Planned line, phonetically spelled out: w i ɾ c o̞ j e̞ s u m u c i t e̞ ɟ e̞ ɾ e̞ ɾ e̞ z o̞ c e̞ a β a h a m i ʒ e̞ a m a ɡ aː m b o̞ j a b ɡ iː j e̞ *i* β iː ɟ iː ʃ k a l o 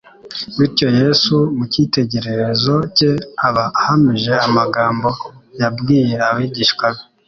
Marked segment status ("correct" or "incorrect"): incorrect